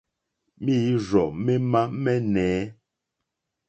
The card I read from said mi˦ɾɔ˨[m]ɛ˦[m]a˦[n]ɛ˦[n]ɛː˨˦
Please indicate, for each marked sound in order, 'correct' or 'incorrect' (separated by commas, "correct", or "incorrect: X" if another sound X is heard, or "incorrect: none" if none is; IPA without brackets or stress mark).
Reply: correct, correct, incorrect: m, correct